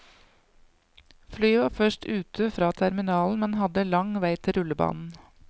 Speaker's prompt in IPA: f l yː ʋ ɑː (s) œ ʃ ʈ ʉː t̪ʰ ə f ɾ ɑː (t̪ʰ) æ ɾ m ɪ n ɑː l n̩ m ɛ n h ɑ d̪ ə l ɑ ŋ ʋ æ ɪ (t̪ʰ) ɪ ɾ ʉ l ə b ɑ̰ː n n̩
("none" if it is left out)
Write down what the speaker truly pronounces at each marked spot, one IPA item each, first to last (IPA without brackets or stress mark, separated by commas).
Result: f, t̪ʰ, t̪ʰ